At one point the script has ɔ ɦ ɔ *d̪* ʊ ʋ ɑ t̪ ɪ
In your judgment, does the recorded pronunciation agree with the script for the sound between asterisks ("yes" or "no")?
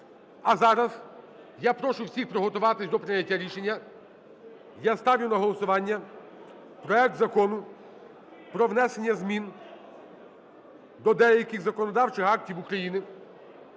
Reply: no